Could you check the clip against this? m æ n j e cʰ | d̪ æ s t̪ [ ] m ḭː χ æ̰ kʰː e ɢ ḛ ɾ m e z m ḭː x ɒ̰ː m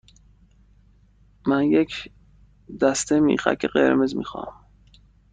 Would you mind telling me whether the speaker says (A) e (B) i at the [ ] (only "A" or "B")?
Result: A